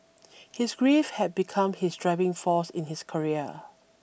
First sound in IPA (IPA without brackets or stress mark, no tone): h